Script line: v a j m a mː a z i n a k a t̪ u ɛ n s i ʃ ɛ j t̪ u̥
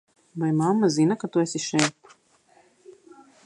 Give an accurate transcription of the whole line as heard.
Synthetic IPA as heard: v a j m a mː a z i n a k a t̪ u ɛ s i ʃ ɛ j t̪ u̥